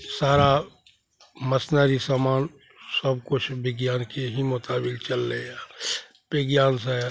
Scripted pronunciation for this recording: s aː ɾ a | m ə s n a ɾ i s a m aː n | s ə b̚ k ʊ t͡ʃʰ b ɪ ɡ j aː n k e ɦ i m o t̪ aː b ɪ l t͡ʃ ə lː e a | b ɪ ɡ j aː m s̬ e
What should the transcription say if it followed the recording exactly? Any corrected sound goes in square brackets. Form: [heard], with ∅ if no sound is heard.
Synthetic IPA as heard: s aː ɾ a | m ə s n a ɾ i s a m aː n | s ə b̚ k ʊ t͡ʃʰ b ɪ ɡ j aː n k e ɦ i m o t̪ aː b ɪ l t͡ʃ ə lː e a | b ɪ ɡ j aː [n] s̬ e